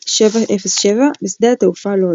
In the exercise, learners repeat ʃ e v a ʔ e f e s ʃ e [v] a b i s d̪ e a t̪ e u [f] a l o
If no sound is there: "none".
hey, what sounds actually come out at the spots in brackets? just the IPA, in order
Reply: v, f

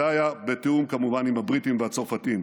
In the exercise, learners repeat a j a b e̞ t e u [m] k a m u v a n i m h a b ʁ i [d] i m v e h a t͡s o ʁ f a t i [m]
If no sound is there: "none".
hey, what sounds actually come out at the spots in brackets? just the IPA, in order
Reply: m, t, m

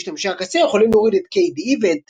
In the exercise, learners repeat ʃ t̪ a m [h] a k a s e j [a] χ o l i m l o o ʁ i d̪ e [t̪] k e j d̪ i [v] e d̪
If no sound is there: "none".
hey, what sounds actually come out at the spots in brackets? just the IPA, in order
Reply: ʃ, e, t̪, v

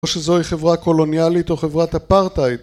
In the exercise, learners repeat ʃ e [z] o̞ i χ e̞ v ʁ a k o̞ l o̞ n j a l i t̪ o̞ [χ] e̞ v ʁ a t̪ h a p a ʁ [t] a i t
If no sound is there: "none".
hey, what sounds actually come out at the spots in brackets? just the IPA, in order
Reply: z, χ, t

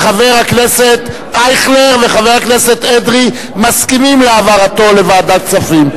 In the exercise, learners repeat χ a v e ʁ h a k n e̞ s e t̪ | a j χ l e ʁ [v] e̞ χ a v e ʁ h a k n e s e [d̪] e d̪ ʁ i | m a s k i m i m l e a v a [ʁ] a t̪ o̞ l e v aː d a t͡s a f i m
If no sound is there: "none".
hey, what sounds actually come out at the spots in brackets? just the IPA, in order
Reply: v, t̪, ʁ

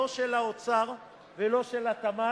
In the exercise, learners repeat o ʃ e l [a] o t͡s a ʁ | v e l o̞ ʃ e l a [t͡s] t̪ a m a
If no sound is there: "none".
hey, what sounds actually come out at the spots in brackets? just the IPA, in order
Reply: a, none

